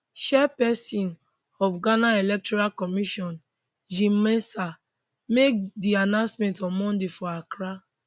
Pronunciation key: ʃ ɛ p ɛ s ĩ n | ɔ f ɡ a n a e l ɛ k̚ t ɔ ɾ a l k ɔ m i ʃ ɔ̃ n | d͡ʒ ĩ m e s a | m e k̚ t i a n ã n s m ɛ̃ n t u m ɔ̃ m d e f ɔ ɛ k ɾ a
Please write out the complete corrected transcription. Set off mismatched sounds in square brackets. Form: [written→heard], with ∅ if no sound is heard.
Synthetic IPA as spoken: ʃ ɛ p ɛ s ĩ n | ɔ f ɡ a n a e l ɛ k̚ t ɔ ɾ a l k ɔ m i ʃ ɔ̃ n | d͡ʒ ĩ m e s a | m e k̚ [t→d] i a n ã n s m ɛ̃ n t [u→ɔ] m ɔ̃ [m→n] d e f ɔ [ɛ→a] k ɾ a